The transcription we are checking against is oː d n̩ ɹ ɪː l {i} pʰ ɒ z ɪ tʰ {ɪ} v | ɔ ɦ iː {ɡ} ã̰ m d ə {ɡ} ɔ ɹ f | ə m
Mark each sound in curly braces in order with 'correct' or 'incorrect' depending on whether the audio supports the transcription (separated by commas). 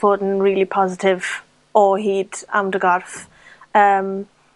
correct, correct, incorrect, correct